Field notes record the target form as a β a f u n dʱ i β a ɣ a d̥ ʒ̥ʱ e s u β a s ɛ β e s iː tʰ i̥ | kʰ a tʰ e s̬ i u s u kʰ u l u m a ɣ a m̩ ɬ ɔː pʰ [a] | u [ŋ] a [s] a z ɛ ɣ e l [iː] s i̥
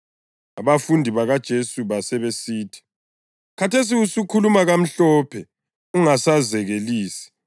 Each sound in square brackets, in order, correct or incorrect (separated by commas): incorrect, correct, correct, correct